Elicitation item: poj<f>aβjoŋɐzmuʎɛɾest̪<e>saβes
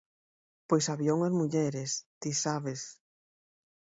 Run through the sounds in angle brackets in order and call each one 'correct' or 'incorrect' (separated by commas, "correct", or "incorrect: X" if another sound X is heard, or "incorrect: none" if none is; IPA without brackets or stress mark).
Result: incorrect: s, incorrect: i